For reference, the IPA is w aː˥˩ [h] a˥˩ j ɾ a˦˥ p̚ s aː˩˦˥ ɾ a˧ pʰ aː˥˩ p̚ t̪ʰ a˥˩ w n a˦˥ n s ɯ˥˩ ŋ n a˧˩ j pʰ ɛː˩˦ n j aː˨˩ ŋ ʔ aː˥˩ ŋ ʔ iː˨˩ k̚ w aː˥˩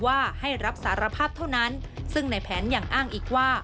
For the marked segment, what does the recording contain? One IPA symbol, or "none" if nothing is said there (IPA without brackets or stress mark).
h